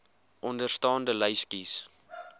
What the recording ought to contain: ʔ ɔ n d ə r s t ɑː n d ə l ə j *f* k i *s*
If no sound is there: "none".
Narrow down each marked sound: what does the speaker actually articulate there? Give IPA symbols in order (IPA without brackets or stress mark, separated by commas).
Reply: s, s